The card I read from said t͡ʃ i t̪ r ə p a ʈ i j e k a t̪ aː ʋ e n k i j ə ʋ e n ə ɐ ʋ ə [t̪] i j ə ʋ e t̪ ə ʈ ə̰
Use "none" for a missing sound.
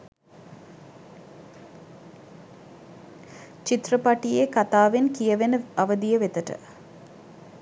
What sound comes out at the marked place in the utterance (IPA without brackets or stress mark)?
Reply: d̪